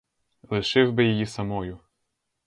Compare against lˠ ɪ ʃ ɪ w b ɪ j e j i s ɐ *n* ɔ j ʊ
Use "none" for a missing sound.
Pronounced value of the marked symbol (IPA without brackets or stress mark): m